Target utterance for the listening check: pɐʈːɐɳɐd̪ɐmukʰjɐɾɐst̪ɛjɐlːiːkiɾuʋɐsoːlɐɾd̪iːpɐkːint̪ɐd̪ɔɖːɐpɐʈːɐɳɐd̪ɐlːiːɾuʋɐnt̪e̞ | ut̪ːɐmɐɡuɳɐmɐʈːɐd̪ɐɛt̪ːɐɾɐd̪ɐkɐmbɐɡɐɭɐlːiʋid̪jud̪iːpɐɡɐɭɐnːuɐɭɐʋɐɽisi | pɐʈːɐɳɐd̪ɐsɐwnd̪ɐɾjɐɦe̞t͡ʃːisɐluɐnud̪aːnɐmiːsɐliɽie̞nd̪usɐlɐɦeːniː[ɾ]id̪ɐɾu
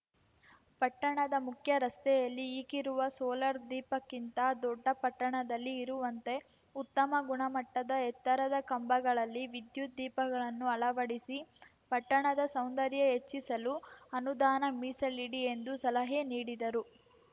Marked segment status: incorrect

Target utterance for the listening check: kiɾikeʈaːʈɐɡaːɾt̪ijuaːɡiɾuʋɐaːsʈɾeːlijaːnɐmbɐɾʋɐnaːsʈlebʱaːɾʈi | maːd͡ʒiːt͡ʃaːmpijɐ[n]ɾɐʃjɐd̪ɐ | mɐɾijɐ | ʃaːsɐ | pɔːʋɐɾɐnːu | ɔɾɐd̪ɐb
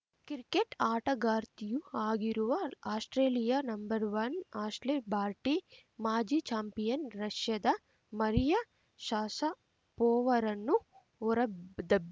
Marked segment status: correct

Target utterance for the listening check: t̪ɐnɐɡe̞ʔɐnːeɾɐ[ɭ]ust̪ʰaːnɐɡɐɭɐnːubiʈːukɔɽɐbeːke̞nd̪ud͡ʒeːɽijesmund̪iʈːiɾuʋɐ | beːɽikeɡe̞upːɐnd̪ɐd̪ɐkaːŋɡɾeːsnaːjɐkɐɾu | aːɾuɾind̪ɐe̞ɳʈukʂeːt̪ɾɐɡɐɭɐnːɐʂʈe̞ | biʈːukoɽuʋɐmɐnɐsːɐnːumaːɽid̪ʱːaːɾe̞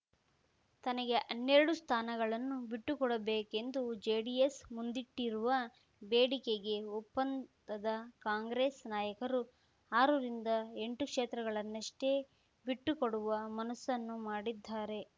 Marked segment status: incorrect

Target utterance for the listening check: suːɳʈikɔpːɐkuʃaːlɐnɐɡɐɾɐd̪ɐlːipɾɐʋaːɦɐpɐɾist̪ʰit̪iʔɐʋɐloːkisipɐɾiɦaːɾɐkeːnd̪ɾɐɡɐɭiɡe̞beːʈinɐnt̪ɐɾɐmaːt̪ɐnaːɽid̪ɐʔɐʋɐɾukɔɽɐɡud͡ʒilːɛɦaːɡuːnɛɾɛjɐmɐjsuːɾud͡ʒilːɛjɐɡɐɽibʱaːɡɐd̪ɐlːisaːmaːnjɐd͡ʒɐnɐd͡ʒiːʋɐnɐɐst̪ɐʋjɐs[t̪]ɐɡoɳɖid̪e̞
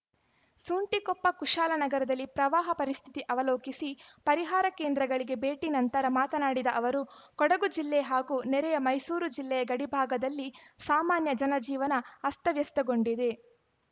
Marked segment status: correct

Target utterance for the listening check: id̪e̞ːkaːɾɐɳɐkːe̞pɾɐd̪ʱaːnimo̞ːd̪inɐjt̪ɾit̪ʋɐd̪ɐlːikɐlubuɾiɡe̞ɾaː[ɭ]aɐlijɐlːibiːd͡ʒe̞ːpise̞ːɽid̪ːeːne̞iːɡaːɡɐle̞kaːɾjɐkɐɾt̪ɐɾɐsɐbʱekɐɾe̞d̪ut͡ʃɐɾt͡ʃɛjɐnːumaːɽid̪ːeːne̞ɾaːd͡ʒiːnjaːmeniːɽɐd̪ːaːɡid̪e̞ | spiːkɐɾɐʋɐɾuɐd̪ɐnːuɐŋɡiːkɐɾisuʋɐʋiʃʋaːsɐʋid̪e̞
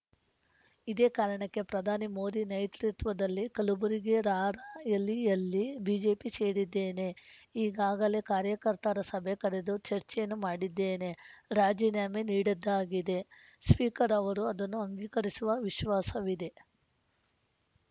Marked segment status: incorrect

